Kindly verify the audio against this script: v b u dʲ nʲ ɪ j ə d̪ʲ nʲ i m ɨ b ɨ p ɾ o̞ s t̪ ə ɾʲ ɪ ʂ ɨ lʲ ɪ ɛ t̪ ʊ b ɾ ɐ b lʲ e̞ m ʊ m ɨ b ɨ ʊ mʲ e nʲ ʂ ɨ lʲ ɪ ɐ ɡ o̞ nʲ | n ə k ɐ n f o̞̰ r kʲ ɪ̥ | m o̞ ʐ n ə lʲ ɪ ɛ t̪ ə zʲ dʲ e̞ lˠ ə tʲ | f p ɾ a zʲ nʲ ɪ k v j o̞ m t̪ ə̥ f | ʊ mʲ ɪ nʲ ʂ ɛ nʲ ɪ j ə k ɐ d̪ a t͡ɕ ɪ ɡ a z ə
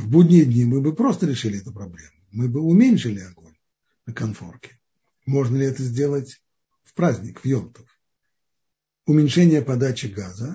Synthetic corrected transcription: v b u dʲ nʲ ɪ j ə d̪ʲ nʲ i m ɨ b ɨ p ɾ o̞ s t̪ ə ɾʲ ɪ ʂ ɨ lʲ ɪ ɛ t̪ ʊ p ɾ ɐ b lʲ e̞ m ʊ m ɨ b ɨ ʊ mʲ e nʲ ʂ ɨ lʲ ɪ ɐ ɡ o̞ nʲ | n ə k ɐ n f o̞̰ r kʲ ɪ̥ | m o̞ ʐ n ə lʲ ɪ ɛ t̪ ə zʲ dʲ e̞ lˠ ə tʲ | f p ɾ a zʲ nʲ ɪ k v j o̞ m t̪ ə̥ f | ʊ mʲ ɪ nʲ ʂ ɛ nʲ ɪ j ə p ɐ d̪ a t͡ɕ ɪ ɡ a z ə